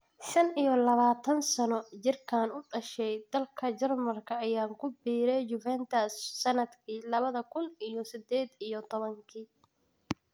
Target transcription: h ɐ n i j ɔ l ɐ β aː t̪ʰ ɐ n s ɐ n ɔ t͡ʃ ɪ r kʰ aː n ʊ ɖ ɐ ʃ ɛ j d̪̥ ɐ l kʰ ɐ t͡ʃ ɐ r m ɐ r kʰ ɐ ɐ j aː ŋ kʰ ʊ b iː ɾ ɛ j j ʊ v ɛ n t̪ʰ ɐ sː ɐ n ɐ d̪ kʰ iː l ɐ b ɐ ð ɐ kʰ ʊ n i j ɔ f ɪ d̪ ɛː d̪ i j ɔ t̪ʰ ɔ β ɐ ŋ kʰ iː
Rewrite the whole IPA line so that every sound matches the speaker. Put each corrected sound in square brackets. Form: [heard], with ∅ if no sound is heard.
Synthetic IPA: [ʃ] ɐ n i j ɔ l ɐ β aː t̪ʰ ɐ n s ɐ n ɔ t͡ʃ ɪ r kʰ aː n ʊ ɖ ɐ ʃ ɛ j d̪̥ ɐ l kʰ ɐ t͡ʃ ɐ r m ɐ r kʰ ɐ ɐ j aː ŋ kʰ ʊ b iː ɾ ɛ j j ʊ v ɛ n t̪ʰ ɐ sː ɐ n ɐ d̪ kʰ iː l ɐ [β] ɐ ð ɐ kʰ ʊ n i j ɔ [s] ɪ d̪ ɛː d̪ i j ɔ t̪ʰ ɔ β ɐ ŋ kʰ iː